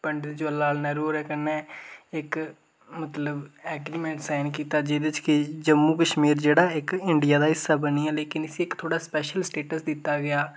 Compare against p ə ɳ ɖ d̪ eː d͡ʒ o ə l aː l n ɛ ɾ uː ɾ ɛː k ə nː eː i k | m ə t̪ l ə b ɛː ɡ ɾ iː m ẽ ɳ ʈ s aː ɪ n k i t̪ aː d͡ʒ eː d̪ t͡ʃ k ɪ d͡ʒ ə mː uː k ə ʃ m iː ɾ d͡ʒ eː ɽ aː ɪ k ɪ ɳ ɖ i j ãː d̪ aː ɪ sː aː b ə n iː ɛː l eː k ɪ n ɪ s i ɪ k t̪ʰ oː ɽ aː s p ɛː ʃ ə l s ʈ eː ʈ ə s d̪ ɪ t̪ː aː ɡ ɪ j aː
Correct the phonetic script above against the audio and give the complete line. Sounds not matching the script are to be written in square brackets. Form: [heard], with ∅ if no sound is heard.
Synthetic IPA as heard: p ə ɳ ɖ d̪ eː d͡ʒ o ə l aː l n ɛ ɾ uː ɾ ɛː k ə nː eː [ɪ] k | m ə t̪ l ə b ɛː ɡ ɾ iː m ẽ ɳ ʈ s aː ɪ n k [iː] t̪ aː d͡ʒ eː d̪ t͡ʃ k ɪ d͡ʒ ə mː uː k ə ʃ m iː ɾ d͡ʒ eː ɽ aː ɪ k ɪ ɳ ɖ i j [aː] d̪ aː ɪ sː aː b ə n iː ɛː l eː k ɪ n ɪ s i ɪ k t̪ʰ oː ɽ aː s p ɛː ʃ ə l s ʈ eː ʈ ə s d̪ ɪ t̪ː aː ɡ ɪ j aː

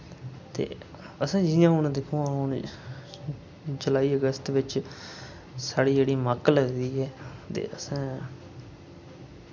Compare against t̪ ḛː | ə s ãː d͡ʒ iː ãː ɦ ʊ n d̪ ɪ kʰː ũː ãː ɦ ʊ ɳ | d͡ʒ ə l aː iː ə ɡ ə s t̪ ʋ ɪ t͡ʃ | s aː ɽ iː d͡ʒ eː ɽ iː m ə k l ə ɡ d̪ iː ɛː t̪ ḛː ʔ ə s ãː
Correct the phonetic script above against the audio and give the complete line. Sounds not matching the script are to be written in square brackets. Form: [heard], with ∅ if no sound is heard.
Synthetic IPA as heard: t̪ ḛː | ə s ãː d͡ʒ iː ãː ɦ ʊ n d̪ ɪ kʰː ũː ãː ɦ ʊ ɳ | d͡ʒ ə l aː iː ə ɡ ə s t̪ ʋ ɪ t͡ʃ | s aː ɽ iː d͡ʒ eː ɽ iː m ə k l ə ɡ d̪ iː ɛː t̪ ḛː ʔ ə s ãː

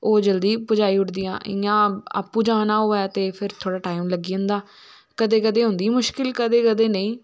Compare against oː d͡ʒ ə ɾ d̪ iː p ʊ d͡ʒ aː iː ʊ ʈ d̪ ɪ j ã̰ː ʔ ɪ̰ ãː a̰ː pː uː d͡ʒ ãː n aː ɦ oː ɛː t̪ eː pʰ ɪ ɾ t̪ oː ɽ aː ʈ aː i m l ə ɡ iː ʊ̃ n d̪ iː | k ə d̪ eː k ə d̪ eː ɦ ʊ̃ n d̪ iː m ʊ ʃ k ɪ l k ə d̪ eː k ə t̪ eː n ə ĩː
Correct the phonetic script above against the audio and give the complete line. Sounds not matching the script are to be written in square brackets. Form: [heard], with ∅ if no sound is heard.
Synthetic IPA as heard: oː d͡ʒ ə [l] d̪ iː p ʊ d͡ʒ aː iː ʊ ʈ d̪ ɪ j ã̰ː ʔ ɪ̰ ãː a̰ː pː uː d͡ʒ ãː n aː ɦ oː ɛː t̪ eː pʰ ɪ ɾ [t̪ʰ] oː ɽ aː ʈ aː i m l ə ɡ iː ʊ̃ n d̪ [aː] | k ə d̪ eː k ə d̪ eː ɦ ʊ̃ n d̪ iː m ʊ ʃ k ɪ l k ə d̪ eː k ə [d̪] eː n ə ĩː

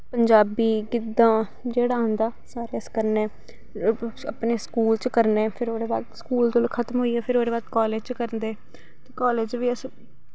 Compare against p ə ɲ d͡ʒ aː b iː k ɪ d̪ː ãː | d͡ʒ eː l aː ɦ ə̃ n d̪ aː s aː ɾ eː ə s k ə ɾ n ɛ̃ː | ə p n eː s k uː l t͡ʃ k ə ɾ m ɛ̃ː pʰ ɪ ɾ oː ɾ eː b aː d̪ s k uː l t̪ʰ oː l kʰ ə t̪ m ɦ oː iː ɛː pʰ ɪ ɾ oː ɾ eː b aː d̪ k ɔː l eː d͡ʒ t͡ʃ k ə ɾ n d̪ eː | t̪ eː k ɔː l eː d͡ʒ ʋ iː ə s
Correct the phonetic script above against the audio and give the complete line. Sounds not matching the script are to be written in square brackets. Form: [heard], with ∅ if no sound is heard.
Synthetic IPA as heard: p ə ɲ d͡ʒ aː b iː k ɪ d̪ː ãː | d͡ʒ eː [ɽ] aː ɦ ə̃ n d̪ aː s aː ɾ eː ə s k ə ɾ n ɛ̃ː | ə p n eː s k uː l t͡ʃ k ə ɾ [n] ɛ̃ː pʰ ɪ ɾ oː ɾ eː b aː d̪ s k uː l [t̪] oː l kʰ ə t̪ m ɦ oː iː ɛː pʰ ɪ ɾ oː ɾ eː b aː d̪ k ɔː l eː d͡ʒ t͡ʃ k ə ɾ n d̪ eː | t̪ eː k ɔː l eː d͡ʒ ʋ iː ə s

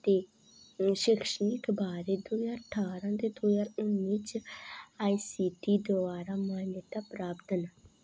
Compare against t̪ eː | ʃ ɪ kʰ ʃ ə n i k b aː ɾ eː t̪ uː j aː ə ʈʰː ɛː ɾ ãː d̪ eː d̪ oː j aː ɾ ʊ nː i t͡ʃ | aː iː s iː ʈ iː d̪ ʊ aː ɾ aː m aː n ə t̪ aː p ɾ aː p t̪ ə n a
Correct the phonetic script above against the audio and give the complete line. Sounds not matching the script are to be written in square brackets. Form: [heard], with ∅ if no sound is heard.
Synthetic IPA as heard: t̪ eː | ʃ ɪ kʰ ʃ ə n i k b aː ɾ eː [d̪] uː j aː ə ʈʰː [aː] ɾ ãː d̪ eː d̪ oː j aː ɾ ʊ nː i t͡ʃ | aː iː s iː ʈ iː d̪ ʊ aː ɾ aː m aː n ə t̪ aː p ɾ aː p t̪ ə n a

